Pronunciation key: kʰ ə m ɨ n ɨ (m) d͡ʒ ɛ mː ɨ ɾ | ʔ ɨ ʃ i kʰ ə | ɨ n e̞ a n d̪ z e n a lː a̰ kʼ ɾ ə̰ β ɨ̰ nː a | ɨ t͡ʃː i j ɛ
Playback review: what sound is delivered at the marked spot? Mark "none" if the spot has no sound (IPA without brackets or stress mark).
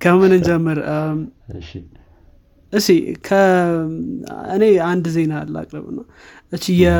n